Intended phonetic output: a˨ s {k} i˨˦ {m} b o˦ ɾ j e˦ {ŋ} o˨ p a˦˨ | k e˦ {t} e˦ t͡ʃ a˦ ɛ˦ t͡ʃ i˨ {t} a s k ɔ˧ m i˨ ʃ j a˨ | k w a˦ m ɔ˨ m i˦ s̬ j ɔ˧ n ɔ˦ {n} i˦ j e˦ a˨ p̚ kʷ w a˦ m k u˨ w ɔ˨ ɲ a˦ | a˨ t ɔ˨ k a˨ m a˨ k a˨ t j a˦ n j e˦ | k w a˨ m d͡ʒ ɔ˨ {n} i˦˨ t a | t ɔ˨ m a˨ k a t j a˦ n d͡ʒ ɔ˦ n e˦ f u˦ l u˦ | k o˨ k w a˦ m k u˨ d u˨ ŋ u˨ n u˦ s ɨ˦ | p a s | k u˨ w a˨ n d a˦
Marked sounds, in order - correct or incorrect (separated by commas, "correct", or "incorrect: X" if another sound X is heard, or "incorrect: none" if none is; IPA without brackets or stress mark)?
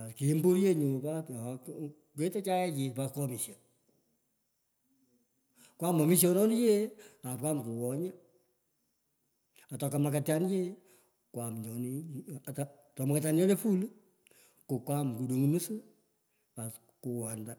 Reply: correct, correct, incorrect: ɲ, correct, incorrect: p, correct, correct